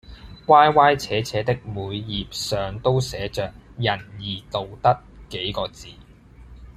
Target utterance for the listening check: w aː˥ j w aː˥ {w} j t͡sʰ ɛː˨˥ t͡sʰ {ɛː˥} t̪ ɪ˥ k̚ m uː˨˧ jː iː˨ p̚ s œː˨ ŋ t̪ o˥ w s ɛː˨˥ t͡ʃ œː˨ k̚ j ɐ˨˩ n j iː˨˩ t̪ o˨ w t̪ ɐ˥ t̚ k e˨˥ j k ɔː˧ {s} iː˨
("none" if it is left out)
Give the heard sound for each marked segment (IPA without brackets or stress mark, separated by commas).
none, ɛː˨˥, t͡s